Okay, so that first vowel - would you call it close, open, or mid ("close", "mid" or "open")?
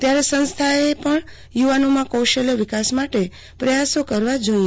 open